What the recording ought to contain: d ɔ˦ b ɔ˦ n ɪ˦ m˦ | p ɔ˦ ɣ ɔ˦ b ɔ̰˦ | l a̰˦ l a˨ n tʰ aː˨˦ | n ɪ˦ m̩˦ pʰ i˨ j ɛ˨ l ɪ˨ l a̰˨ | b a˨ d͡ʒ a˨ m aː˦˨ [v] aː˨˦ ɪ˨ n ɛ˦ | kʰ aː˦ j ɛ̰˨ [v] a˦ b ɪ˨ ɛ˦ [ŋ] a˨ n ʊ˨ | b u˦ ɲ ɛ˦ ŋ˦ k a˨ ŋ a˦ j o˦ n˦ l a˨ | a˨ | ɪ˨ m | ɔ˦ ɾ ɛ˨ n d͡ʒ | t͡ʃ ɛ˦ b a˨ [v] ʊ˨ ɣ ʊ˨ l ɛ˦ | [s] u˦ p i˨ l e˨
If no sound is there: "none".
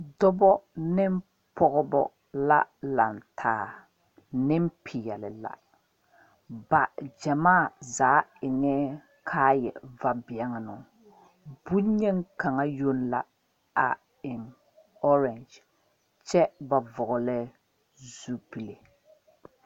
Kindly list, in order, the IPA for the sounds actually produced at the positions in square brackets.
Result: z, v, ŋ, v, z

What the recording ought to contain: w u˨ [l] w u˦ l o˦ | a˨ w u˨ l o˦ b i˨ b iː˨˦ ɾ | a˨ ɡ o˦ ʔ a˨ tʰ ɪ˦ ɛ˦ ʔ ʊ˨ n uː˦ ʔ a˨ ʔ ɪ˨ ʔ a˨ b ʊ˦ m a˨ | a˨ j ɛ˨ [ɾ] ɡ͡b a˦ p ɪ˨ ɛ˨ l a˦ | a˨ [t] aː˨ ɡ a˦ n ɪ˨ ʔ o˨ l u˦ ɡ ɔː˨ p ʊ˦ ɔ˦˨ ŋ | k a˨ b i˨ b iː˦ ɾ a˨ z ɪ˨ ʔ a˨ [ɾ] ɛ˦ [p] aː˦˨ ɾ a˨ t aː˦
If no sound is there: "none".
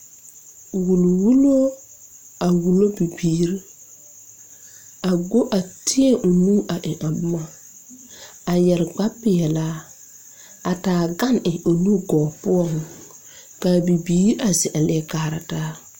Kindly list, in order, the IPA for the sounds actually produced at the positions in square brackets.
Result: l, ɾ, t, l, k

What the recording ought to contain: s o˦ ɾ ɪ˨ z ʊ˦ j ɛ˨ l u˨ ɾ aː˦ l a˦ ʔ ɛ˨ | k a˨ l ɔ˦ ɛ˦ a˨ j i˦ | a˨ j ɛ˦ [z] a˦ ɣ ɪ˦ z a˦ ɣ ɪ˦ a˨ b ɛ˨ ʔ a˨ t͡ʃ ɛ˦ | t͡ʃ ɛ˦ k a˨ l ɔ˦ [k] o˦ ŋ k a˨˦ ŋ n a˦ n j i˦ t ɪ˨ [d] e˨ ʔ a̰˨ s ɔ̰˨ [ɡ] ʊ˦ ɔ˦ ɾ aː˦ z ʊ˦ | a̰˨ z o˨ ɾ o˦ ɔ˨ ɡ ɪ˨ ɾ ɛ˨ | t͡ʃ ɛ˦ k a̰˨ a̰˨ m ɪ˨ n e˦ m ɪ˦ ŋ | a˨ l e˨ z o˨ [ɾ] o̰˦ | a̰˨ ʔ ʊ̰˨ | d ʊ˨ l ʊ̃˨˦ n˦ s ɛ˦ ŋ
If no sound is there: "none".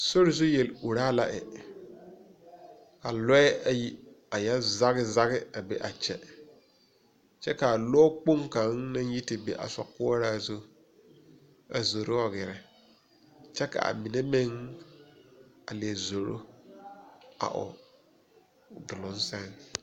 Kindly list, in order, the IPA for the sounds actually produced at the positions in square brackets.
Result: z, k͡p, b, k, ɾ

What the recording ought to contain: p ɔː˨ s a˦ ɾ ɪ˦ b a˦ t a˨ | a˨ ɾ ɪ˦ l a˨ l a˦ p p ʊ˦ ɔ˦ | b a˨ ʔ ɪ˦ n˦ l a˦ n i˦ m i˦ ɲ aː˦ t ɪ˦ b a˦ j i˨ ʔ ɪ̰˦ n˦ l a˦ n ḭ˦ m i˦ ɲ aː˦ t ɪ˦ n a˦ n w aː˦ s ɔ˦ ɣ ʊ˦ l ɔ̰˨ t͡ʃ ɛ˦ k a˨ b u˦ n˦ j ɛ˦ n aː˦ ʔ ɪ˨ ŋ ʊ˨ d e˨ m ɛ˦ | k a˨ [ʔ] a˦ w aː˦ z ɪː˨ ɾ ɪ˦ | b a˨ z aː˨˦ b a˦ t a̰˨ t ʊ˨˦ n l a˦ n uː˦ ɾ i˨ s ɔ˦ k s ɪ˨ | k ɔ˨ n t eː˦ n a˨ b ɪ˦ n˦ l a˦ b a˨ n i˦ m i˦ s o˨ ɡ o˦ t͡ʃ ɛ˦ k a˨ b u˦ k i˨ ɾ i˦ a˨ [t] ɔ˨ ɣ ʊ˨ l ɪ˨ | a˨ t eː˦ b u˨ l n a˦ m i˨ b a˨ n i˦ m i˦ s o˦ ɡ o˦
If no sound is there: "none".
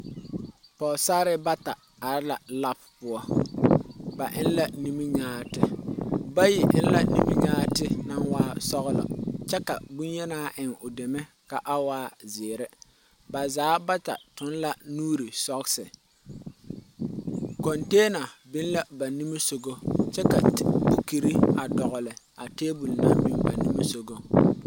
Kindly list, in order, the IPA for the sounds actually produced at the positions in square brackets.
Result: ʔ, d

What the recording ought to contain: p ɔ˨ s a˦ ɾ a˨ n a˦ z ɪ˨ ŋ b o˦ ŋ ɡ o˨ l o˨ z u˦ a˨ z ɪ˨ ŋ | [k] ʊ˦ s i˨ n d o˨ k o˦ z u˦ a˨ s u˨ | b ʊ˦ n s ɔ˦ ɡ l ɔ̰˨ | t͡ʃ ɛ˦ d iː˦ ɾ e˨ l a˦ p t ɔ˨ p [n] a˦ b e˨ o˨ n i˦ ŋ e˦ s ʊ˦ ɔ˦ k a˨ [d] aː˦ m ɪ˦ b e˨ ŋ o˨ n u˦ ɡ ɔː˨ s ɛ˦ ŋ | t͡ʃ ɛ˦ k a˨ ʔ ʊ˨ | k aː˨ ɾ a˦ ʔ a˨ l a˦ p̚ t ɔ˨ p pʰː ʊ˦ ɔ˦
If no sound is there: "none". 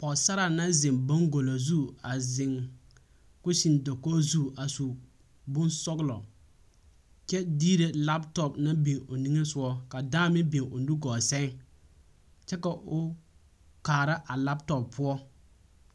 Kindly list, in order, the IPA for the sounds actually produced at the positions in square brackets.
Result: k, n, d

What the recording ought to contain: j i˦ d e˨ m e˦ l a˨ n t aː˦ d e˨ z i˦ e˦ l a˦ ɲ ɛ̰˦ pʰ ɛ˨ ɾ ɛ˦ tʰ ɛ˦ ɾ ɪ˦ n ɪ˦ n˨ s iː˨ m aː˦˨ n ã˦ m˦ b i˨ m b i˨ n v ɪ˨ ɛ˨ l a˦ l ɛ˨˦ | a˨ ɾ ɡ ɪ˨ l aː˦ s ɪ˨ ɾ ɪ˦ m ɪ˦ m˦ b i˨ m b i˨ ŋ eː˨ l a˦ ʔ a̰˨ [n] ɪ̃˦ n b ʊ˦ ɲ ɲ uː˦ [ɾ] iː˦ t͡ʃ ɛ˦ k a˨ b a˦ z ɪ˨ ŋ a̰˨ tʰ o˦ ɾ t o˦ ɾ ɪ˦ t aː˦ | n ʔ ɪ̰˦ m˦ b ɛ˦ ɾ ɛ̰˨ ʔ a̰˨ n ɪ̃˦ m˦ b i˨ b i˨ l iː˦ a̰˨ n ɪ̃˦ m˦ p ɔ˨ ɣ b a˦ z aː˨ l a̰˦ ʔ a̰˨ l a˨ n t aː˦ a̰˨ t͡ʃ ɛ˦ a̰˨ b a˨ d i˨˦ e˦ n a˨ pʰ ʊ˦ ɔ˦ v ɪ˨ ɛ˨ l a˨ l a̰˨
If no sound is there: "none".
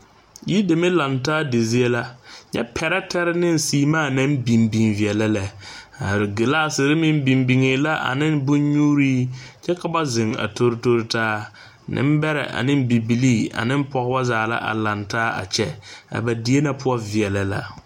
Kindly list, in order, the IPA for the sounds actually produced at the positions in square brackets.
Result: n, ɾ

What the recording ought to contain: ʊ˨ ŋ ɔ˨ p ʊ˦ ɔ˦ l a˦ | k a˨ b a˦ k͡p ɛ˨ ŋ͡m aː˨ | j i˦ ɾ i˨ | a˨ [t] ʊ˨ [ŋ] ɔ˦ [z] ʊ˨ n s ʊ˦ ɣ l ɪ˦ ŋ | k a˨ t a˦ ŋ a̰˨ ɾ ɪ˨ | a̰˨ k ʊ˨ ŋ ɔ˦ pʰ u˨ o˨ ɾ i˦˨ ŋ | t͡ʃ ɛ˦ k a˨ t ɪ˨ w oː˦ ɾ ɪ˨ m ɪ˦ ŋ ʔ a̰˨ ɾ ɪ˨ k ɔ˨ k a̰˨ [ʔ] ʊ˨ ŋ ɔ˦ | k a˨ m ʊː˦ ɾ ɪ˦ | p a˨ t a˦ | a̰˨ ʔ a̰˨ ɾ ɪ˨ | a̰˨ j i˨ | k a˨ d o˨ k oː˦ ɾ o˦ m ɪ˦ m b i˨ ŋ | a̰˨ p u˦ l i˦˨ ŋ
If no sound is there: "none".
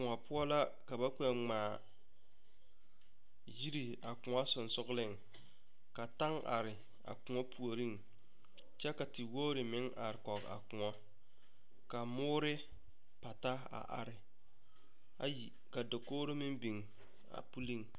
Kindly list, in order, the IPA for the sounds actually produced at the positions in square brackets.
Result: k, ŋ, s, k

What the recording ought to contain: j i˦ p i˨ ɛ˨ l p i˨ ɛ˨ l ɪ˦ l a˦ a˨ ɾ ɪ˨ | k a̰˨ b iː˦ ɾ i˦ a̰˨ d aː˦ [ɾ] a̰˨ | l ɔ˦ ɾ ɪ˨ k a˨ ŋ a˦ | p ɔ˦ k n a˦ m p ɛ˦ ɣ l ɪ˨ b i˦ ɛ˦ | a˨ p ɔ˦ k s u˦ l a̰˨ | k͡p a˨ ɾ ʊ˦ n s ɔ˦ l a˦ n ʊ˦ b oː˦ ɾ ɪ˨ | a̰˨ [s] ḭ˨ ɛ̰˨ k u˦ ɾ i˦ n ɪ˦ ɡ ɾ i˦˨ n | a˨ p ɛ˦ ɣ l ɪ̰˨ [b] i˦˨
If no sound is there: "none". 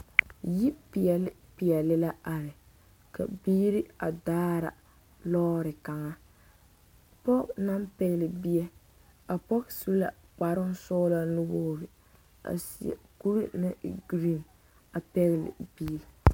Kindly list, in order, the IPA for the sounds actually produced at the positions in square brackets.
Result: ɾ, s, b

